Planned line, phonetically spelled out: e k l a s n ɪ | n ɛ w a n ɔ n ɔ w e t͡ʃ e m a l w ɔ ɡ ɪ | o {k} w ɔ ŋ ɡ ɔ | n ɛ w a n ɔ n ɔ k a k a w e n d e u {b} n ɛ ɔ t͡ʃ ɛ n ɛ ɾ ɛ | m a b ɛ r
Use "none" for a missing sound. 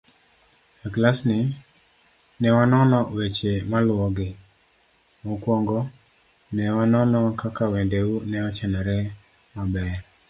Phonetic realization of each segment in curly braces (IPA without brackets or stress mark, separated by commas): k, none